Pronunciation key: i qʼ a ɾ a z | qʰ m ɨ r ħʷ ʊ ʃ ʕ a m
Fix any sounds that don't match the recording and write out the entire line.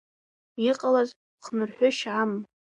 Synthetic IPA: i qʼ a l a z | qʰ n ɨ r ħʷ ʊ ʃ ʕ a m

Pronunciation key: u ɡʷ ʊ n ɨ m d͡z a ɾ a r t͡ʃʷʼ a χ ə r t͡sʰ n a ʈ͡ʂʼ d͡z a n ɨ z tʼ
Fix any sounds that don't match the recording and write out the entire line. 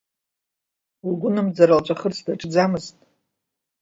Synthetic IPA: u ɡʷ ʊ n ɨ m d͡z a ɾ a l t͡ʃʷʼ a χ ə r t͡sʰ d a ʈ͡ʂʼ d͡z a m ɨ z tʼ

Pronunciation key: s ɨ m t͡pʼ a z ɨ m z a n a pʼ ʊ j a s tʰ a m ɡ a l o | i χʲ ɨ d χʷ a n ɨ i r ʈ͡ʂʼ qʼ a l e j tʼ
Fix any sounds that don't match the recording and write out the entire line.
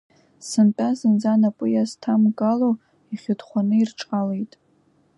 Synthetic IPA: s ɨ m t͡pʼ a z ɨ n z a n a pʼ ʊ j a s tʰ a m ɡ a l o | i χʲ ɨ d χʷ a n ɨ i r ʈ͡ʂʼ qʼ a l e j tʼ

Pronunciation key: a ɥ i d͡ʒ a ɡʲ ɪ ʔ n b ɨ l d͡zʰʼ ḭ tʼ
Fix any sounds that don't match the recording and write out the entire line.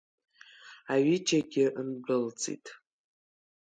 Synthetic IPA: a ɥ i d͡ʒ a ɡʲ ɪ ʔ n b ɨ l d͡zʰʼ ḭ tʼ

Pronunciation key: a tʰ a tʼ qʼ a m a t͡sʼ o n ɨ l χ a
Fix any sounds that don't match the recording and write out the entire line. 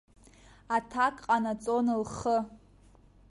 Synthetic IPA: a tʰ a kʼ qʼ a n a t͡sʼ o n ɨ l χ ə

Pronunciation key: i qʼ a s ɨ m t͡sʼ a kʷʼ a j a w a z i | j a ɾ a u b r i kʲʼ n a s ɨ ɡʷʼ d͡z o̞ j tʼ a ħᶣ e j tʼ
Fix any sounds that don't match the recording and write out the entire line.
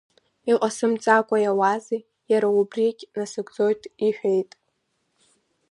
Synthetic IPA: i qʼ a s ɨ m t͡sʼ a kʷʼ a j a w a z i | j a ɾ a u b r i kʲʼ n a s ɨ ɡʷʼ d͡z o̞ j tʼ i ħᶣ e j tʼ

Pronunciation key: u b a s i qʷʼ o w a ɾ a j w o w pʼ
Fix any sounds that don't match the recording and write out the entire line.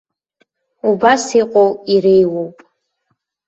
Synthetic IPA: u b a s i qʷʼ o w i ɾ e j w o w pʼ

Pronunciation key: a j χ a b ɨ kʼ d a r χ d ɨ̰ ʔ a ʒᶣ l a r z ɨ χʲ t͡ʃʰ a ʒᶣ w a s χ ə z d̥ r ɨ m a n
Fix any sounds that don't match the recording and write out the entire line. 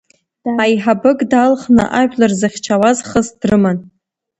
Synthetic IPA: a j ħ a b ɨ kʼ d a l χ n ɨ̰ ʔ a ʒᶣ l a r z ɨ χʲ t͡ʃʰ a w a z χ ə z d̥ r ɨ m a n

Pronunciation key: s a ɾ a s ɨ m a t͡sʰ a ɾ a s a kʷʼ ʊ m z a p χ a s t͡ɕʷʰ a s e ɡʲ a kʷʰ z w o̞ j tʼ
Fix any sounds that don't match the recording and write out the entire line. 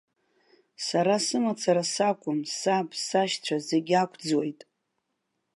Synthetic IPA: s a ɾ a s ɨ m a t͡sʰ a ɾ a s a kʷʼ ʊ m s a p s a ʃ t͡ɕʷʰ a z e ɡʲ a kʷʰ d͡z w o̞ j tʼ

